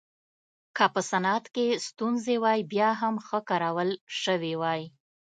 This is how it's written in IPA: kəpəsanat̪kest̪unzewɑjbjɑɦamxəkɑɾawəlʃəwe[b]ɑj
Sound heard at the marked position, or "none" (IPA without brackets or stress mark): w